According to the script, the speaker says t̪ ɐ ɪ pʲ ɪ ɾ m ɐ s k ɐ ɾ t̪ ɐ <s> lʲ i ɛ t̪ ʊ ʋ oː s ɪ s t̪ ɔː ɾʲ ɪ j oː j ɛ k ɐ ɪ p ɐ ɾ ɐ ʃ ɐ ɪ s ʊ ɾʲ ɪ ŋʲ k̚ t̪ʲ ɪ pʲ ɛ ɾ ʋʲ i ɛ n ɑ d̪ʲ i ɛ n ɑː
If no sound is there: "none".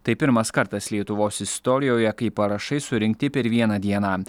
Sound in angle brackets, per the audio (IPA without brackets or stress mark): s